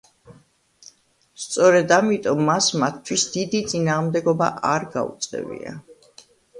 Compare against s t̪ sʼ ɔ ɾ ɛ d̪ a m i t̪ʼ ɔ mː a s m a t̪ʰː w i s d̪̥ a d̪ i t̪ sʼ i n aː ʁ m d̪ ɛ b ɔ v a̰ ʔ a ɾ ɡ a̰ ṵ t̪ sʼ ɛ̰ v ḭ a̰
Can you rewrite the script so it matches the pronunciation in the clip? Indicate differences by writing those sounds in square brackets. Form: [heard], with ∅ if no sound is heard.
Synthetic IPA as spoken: s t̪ sʼ ɔ ɾ ɛ d̪ a m i t̪ʼ ɔ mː a s m a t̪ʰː w i s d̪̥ [i] d̪ i t̪ sʼ i n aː ʁ m d̪ ɛ [ɡ] ɔ [b] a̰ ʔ a ɾ ɡ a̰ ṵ t̪ sʼ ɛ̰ v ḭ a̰